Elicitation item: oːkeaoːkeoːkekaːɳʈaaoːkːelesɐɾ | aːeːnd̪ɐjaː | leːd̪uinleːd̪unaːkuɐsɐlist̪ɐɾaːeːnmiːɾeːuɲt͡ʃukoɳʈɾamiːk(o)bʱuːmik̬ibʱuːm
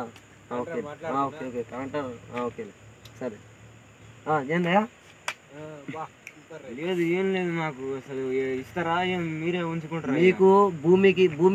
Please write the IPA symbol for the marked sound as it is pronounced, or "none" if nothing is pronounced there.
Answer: u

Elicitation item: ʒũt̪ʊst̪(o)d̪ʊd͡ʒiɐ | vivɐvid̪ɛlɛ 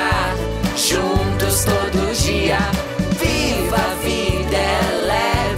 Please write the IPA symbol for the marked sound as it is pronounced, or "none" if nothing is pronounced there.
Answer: o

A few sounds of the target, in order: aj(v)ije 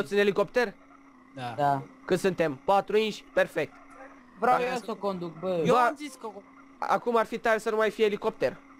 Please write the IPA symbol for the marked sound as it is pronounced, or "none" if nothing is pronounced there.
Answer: f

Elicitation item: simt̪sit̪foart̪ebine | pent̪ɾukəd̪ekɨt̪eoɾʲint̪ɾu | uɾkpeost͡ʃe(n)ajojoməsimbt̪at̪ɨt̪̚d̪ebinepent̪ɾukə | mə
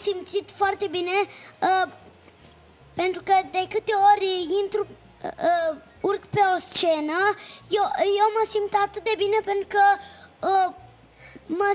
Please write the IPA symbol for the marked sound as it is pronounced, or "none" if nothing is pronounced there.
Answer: n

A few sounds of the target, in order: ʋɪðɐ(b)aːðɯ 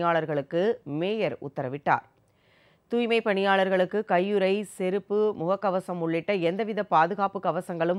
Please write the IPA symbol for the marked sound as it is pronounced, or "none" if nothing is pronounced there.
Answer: p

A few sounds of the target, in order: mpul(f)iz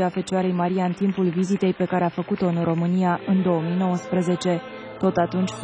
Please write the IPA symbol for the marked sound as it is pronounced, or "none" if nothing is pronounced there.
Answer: v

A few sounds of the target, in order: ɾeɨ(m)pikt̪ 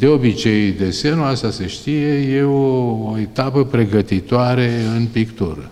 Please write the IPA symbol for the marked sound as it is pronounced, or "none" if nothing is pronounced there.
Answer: n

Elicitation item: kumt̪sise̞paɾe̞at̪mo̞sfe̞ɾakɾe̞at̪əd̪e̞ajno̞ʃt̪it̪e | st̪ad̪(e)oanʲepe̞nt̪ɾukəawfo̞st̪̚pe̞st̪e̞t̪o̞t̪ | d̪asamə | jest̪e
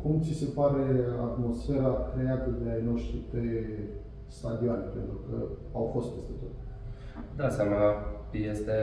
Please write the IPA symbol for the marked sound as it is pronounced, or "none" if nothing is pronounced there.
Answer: i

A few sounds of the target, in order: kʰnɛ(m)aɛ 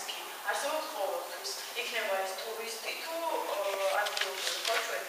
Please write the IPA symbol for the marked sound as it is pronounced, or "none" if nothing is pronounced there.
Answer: b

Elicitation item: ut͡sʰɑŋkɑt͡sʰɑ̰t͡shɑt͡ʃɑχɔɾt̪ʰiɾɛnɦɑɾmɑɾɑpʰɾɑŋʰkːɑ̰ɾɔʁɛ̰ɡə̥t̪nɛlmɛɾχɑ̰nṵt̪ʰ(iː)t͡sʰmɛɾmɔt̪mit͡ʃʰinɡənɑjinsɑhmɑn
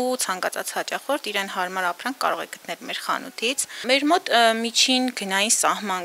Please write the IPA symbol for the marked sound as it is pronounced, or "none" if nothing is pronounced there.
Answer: i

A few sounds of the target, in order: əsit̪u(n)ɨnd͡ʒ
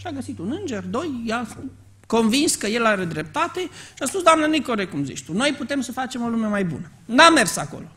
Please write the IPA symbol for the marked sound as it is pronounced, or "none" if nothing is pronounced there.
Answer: n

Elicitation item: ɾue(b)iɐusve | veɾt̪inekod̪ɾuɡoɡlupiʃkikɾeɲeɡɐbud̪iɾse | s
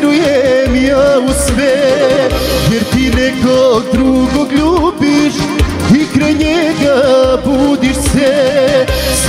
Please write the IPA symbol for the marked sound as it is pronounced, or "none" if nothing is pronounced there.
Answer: m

